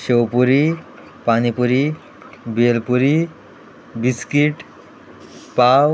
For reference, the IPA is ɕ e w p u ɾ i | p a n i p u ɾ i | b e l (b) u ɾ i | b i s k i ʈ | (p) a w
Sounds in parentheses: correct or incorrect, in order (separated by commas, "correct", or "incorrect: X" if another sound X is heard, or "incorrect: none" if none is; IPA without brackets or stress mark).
incorrect: p, correct